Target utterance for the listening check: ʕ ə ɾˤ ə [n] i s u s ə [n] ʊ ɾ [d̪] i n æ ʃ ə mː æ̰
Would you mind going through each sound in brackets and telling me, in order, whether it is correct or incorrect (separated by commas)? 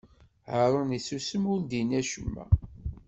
correct, incorrect, correct